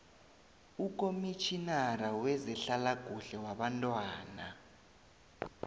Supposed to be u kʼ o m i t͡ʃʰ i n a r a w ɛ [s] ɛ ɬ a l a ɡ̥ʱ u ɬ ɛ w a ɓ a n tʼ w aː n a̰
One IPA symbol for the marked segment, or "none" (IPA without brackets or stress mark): z